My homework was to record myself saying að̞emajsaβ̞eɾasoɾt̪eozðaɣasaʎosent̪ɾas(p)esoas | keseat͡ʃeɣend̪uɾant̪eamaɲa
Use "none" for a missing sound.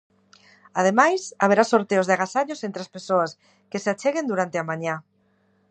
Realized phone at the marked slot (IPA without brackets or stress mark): p